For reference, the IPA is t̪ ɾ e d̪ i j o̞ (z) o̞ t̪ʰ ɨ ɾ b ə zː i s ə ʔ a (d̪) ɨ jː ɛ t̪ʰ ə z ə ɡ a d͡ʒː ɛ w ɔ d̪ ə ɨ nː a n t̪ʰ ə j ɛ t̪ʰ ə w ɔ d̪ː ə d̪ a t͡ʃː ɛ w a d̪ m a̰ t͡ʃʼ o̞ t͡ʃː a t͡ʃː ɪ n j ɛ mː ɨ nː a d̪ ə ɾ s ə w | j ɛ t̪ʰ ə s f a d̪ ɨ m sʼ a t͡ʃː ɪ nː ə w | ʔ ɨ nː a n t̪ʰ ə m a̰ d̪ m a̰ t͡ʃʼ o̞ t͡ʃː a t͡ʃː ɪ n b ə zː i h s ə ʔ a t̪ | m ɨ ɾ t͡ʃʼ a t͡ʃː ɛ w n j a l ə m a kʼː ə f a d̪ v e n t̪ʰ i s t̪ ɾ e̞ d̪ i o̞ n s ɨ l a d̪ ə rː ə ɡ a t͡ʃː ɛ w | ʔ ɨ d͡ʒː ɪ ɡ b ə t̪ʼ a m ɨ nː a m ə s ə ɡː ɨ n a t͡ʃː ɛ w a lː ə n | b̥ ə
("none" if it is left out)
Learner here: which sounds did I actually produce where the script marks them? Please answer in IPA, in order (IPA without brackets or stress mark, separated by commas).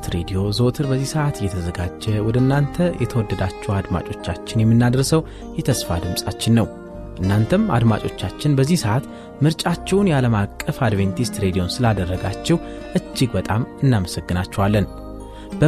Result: z, t̪